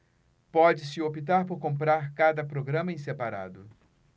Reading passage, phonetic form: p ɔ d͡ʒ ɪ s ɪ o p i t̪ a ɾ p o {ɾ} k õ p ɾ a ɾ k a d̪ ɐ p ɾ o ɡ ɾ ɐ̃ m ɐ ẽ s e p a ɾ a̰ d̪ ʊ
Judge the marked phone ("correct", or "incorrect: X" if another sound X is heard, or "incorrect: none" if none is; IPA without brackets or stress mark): correct